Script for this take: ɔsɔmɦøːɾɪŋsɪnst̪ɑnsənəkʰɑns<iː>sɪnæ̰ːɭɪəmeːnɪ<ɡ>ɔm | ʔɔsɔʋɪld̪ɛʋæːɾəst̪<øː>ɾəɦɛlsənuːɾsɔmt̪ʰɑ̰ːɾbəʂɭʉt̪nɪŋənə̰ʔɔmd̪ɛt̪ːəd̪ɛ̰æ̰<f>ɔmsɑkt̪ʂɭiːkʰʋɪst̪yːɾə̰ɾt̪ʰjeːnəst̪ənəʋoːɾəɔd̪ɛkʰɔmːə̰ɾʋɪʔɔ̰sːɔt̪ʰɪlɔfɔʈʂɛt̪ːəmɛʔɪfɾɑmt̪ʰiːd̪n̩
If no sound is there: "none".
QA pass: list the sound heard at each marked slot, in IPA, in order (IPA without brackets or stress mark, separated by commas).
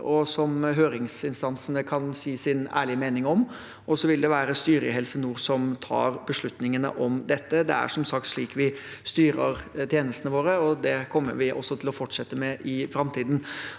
iː, ŋ, yː, ʂ